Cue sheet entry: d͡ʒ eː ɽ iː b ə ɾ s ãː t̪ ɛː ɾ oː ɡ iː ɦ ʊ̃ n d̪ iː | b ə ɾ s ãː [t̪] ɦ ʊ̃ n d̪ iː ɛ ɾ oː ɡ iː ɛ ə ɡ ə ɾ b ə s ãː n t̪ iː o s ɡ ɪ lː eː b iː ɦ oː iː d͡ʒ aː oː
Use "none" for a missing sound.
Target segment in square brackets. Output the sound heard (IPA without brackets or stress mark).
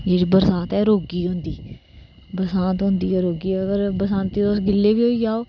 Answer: t̪